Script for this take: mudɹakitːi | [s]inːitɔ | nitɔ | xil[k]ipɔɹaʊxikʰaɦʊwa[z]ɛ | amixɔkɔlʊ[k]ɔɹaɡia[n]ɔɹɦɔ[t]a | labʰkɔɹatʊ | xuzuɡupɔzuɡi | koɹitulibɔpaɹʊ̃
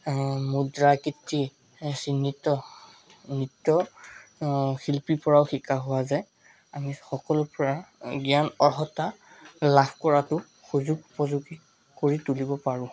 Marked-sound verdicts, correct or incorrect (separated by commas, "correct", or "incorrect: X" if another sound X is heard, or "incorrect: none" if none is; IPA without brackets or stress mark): correct, incorrect: p, correct, incorrect: p, correct, correct